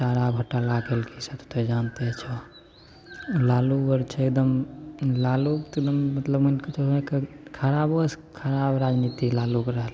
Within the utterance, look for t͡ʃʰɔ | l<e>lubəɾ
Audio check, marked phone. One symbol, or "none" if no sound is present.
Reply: a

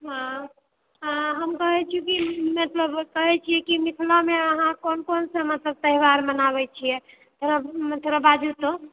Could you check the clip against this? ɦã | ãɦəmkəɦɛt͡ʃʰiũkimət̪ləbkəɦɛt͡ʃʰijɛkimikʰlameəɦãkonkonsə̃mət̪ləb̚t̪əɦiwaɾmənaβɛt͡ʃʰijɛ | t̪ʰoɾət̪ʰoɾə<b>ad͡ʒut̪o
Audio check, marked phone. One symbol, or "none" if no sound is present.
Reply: b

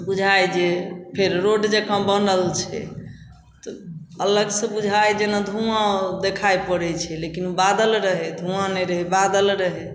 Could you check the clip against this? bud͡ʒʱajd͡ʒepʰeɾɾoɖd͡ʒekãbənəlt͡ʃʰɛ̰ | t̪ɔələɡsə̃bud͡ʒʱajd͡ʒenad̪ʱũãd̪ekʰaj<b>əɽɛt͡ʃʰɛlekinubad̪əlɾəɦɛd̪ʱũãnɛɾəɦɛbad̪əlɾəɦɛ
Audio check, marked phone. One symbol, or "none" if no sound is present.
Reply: p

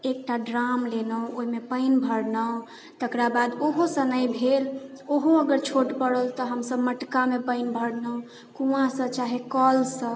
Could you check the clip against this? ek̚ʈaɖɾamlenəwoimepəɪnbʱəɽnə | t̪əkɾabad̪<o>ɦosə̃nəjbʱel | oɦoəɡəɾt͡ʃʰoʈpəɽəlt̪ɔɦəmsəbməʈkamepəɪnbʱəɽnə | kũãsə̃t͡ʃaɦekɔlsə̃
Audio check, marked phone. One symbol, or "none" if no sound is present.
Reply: o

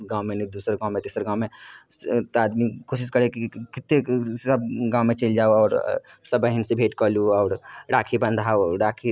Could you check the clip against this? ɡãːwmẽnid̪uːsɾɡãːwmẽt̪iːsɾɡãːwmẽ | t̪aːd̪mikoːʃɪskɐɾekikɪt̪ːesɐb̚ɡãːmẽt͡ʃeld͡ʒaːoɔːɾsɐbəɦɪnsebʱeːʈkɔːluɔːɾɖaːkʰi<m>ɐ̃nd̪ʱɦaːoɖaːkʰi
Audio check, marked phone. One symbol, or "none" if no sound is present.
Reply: b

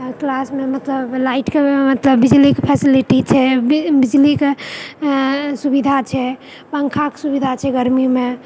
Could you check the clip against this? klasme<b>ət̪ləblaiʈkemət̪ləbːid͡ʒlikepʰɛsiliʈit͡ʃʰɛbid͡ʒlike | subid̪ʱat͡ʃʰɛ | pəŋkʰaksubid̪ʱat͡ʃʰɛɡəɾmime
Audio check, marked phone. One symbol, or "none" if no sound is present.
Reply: m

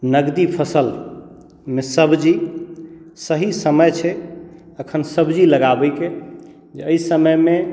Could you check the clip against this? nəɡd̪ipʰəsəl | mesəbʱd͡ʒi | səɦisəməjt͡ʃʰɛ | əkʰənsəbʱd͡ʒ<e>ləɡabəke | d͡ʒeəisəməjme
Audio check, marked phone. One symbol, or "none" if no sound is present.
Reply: i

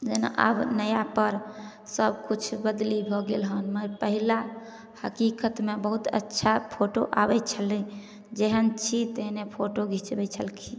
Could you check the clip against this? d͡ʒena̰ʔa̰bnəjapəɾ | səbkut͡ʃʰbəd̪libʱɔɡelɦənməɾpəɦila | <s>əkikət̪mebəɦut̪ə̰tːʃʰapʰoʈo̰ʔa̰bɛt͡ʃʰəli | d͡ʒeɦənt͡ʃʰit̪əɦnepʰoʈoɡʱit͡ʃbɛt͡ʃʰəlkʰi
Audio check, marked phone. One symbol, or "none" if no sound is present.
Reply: h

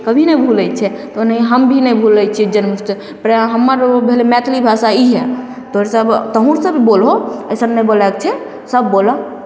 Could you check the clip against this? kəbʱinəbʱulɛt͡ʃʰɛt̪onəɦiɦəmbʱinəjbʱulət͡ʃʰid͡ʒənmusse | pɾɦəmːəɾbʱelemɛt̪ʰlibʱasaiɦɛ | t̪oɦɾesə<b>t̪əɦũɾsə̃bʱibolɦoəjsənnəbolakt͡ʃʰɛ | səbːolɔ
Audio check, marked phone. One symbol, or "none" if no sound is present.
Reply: b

